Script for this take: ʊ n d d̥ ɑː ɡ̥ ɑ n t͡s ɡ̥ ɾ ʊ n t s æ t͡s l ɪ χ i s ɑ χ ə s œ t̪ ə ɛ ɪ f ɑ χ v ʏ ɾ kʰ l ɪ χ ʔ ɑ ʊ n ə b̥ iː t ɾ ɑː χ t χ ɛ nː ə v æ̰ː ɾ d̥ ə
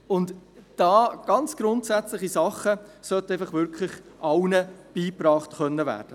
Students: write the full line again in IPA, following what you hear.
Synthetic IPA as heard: ʊ n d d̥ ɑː ɡ̥ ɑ n t͡s ɡ̥ ɾ ʊ n t s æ t͡s l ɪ χ i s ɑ χ ə s œ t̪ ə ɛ ɪ f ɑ χ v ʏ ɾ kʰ l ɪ χ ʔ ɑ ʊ n ə b̥ iː p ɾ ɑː χ t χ œ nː ə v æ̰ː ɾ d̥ ə